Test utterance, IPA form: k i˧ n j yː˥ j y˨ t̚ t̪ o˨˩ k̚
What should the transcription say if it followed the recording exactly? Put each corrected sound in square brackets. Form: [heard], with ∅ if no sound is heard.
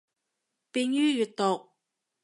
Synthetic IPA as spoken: [p] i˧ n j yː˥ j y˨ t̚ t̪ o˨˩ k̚